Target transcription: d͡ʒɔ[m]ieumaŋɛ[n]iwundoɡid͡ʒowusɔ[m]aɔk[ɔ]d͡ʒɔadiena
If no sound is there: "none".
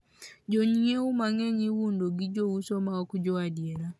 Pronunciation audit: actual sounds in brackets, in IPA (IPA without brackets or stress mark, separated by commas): ɲ, ɲ, m, u